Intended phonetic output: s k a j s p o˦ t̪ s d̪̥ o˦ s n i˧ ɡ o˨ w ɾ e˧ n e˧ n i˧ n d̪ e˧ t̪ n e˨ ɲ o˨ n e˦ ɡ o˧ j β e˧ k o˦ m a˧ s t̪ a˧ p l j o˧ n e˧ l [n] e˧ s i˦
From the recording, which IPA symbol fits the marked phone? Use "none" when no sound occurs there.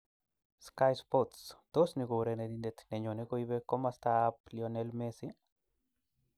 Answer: m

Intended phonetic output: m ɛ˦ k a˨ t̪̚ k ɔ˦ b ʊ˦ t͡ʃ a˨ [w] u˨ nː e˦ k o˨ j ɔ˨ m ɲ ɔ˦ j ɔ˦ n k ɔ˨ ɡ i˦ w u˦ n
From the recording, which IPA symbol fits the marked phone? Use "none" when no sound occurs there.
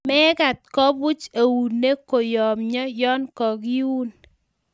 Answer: w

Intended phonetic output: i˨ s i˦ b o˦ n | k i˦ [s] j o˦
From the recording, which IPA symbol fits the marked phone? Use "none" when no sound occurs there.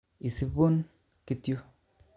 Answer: t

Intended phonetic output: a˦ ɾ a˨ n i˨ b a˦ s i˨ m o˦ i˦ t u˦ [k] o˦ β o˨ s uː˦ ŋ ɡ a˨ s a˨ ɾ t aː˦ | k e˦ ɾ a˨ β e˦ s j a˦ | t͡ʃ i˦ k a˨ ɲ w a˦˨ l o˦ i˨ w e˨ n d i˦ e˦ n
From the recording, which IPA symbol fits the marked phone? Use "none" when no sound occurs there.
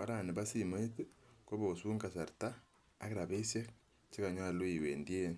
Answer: k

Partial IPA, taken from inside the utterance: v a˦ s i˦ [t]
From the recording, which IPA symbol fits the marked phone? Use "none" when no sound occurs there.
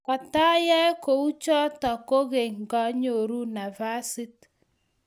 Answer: t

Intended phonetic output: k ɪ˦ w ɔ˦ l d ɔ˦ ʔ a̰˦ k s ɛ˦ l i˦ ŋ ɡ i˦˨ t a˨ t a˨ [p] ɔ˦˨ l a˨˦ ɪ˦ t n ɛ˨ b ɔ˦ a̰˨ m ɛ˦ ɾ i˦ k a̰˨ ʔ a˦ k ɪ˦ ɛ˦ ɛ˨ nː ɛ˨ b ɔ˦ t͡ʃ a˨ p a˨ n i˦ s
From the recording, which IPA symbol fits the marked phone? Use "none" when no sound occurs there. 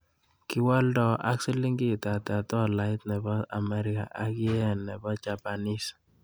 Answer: t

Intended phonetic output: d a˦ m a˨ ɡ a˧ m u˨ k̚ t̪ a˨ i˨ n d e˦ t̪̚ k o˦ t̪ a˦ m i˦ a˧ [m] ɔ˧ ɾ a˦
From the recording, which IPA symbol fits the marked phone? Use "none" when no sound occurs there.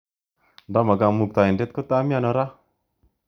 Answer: n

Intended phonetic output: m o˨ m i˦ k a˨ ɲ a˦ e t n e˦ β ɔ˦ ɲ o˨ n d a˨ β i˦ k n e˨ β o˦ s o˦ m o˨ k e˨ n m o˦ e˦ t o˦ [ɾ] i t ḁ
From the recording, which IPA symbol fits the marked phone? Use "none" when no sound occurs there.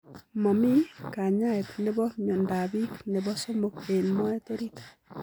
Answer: ɾ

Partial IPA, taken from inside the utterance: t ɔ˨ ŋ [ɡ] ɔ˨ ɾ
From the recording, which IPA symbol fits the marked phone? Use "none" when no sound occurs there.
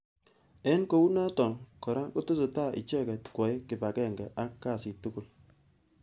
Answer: k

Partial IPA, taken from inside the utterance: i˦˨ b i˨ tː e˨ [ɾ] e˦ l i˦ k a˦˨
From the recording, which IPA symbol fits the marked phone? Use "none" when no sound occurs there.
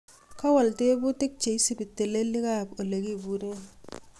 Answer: l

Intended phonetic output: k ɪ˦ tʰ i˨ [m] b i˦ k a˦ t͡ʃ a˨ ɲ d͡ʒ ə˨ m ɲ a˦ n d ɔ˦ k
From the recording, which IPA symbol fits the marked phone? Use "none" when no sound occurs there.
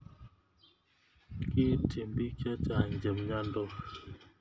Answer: m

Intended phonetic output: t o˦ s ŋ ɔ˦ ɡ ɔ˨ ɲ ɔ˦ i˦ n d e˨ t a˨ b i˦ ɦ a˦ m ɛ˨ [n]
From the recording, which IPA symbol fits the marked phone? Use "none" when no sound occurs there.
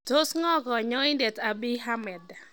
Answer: d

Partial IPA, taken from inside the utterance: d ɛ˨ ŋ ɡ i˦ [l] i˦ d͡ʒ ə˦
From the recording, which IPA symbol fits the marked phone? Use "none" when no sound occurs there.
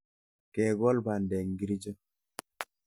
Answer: ɾ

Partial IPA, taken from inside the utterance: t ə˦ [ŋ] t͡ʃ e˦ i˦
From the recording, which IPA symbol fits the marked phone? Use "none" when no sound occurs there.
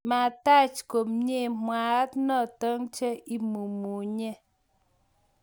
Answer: ŋ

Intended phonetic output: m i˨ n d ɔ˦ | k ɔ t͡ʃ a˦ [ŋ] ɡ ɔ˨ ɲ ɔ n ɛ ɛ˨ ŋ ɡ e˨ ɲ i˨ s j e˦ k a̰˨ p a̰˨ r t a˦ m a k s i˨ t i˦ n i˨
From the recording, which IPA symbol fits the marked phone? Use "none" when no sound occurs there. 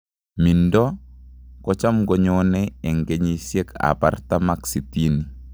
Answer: m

